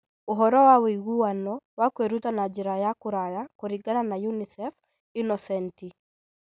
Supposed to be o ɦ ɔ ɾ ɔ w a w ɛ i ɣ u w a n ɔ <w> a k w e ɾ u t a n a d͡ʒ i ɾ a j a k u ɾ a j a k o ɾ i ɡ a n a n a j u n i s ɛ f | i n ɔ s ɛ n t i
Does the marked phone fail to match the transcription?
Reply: no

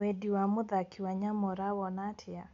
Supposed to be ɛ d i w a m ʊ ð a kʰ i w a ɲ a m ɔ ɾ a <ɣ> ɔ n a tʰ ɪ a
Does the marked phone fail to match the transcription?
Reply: yes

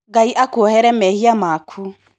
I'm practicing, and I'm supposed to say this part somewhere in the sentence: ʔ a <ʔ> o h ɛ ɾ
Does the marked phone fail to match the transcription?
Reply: yes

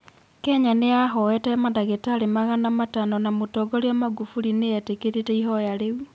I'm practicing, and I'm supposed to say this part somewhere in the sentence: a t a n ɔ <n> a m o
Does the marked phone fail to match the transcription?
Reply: no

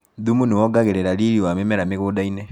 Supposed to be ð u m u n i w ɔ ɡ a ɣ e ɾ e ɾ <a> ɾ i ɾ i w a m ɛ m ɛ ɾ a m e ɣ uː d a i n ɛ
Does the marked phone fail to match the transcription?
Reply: no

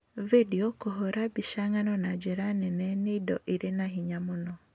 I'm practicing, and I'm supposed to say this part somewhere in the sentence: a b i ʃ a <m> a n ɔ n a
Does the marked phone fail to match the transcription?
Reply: yes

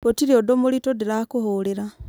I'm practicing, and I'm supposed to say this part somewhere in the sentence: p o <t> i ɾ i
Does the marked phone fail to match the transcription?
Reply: no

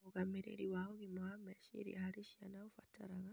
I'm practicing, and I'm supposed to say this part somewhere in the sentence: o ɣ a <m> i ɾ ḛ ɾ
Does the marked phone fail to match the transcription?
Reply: no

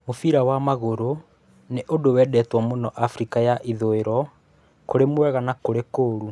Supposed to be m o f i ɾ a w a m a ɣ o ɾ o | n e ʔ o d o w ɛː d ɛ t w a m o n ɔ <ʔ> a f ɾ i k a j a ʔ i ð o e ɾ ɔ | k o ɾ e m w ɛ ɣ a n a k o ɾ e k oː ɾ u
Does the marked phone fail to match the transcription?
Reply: no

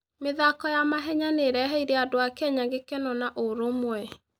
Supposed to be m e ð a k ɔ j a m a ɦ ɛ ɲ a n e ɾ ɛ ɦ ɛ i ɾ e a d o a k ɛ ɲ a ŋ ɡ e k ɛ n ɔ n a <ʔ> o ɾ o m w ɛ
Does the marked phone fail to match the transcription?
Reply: no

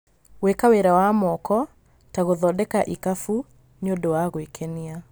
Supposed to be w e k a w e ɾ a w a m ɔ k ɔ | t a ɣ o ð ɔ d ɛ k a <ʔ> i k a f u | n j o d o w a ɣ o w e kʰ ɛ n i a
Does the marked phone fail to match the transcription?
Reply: no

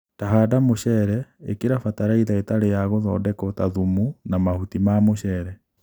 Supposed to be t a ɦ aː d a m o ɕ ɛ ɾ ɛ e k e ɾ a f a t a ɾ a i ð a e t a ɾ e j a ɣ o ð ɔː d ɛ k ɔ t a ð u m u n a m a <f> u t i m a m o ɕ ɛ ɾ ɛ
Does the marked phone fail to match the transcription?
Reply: yes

